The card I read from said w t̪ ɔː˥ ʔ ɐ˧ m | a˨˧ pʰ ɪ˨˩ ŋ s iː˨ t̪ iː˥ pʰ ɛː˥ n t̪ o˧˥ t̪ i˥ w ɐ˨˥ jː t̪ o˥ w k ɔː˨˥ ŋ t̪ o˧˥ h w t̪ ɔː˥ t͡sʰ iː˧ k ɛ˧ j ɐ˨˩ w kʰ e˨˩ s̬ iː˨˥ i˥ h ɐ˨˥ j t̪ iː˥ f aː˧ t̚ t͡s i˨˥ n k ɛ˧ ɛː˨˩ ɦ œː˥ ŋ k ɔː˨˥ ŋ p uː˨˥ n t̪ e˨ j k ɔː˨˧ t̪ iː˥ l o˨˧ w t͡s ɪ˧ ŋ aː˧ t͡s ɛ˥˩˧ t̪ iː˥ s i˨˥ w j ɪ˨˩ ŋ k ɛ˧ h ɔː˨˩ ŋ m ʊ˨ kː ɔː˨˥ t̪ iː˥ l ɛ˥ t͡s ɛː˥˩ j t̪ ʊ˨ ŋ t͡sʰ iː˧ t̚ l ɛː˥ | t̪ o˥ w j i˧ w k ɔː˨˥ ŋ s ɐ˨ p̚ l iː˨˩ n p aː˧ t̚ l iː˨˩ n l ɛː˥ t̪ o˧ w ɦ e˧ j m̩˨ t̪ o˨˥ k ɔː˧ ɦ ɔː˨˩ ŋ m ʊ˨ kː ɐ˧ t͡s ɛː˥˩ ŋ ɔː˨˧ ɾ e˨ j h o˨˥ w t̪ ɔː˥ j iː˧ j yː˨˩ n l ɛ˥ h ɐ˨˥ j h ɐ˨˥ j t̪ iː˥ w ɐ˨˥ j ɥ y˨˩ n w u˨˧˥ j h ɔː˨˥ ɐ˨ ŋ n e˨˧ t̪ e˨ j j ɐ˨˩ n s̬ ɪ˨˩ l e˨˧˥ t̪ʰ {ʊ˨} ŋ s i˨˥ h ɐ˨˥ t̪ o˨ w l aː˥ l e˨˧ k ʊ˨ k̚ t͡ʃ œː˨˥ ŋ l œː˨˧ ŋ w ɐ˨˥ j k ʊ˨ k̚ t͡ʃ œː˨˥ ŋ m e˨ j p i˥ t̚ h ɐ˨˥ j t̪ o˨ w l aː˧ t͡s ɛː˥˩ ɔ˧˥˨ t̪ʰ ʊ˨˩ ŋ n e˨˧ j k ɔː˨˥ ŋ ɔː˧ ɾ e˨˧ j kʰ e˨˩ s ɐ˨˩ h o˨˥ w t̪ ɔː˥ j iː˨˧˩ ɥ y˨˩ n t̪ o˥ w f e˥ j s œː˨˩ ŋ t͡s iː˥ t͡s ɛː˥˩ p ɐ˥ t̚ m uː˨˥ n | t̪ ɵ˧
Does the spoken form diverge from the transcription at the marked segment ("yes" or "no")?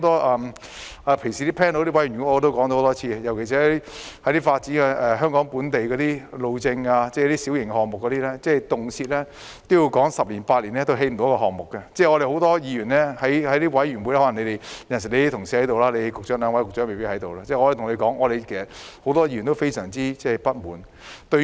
no